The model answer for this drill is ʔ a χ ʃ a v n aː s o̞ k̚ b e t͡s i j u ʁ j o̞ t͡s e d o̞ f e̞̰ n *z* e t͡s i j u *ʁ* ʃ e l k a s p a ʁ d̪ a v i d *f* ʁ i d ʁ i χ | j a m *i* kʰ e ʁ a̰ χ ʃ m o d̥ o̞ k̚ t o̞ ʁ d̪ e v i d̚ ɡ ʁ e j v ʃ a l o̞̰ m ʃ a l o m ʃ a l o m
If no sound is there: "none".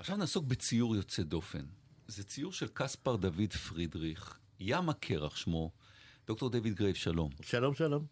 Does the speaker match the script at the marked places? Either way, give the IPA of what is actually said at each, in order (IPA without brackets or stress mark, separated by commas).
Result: z, ʁ, f, a